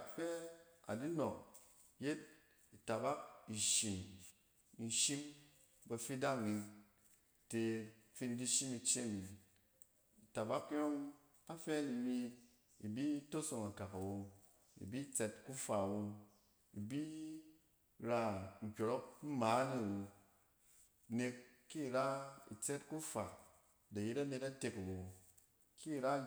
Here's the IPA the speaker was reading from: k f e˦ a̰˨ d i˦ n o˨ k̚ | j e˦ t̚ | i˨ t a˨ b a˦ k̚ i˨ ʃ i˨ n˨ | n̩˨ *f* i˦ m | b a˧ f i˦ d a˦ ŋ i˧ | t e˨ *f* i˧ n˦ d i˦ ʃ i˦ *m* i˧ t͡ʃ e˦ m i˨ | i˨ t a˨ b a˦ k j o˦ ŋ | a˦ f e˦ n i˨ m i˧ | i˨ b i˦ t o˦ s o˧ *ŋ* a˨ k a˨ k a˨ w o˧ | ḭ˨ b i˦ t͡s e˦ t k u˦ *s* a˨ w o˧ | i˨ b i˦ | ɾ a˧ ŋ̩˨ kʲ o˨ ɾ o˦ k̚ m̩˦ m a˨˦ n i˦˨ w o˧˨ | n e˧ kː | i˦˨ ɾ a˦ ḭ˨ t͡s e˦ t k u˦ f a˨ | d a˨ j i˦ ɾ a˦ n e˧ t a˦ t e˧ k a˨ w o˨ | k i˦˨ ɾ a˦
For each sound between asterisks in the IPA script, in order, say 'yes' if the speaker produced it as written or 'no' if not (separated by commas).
no, yes, yes, yes, no